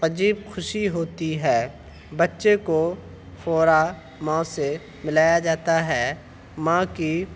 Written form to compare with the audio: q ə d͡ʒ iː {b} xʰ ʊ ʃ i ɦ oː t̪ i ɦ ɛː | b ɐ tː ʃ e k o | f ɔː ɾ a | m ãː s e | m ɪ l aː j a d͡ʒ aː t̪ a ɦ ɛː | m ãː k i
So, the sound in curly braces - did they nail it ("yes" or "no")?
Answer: yes